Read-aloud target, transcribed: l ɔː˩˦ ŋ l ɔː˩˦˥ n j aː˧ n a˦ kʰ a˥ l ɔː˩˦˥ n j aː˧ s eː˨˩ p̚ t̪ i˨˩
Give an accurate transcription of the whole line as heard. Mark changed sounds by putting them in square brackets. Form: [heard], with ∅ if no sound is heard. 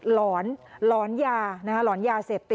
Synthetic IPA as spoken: l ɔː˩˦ [n] l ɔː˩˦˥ n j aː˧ n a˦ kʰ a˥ l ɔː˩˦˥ n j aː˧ s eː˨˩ p̚ t̪ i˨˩